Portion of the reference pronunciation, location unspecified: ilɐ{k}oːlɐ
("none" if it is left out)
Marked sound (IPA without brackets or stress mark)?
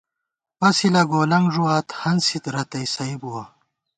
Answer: ɡ